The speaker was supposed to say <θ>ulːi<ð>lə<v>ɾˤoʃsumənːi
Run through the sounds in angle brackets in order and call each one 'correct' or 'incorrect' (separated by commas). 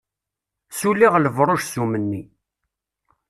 incorrect, incorrect, correct